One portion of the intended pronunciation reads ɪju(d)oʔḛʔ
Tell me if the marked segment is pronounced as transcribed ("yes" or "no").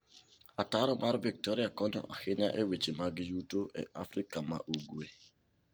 no